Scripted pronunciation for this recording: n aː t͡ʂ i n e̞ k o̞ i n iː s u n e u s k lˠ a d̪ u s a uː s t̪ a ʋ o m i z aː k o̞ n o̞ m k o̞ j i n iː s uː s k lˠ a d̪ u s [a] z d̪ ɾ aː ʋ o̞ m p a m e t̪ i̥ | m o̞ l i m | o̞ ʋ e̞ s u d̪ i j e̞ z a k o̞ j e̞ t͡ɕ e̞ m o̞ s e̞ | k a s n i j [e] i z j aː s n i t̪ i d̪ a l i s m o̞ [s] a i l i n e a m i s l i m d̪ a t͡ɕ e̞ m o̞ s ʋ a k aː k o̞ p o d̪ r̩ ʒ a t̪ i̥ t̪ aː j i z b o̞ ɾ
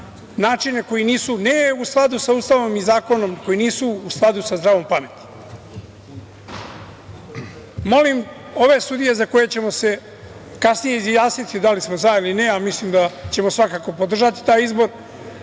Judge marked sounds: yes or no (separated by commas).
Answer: yes, yes, no